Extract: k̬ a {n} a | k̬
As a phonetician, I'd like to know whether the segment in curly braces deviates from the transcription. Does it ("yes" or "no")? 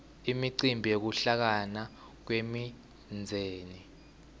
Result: no